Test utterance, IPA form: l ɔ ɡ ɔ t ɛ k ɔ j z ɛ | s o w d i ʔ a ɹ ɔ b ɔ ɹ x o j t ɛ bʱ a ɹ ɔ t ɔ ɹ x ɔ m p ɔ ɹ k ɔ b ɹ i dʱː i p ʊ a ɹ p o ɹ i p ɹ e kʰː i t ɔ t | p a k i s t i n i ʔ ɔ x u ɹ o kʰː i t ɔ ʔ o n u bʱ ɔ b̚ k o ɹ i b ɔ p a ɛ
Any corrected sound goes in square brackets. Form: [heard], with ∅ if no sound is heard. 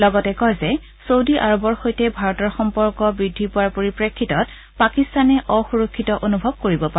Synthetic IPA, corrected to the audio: l ɔ ɡ ɔ t ɛ k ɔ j z ɛ | s o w d i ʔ a ɹ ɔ b ɔ ɹ x o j t ɛ bʱ a ɹ ɔ t ɔ ɹ x ɔ m p ɔ ɹ k ɔ b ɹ i dʱː i p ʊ a ɹ p o ɹ i p ɹ e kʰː i t ɔ t | p a k i s t [a] n [ɛ] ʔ ɔ x u ɹ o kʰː i t ɔ ʔ o n u bʱ ɔ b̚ k o ɹ i b ɔ p a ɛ